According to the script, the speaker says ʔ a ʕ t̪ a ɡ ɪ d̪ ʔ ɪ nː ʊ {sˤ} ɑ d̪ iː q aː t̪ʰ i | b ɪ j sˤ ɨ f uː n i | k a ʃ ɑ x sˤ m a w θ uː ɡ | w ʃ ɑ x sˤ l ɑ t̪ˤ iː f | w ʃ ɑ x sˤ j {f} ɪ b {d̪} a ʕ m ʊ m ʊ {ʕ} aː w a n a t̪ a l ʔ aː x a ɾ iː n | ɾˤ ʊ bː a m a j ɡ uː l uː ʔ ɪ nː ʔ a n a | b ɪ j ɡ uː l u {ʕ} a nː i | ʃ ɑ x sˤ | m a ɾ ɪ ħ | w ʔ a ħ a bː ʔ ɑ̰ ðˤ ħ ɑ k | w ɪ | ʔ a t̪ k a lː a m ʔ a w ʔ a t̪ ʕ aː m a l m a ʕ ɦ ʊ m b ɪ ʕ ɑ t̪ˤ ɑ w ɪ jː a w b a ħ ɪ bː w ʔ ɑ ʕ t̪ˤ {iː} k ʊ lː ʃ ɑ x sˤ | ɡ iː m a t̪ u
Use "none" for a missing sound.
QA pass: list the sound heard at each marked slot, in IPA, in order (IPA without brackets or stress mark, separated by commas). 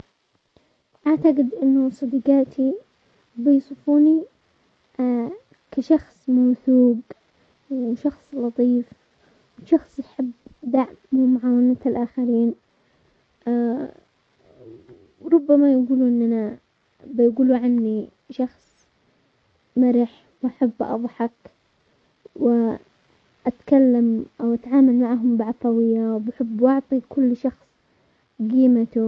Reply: sˤ, ħ, d̪, ʕ, ʕ, i